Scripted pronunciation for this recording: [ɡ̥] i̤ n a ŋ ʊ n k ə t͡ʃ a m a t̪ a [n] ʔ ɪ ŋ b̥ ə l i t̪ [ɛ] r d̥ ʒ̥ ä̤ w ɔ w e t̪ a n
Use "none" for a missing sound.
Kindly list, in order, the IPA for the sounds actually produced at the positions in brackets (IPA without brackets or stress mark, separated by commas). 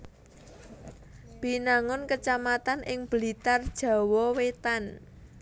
b̥, n, a